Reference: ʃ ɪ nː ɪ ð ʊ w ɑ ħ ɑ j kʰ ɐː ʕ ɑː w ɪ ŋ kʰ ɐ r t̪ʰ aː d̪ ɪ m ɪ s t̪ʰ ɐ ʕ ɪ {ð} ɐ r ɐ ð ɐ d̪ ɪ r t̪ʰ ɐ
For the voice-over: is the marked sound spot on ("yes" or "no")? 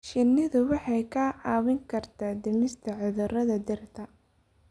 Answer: yes